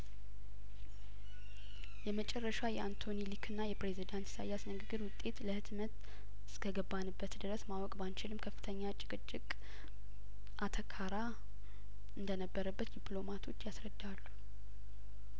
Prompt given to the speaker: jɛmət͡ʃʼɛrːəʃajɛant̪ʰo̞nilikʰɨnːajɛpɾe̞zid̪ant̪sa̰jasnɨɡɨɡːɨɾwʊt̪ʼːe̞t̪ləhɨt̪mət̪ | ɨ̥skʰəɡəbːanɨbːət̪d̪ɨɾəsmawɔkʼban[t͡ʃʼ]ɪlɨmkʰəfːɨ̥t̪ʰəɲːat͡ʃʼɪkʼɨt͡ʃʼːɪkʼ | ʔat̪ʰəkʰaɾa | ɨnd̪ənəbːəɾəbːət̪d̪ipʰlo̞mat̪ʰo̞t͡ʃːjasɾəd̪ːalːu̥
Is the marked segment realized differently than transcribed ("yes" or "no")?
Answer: yes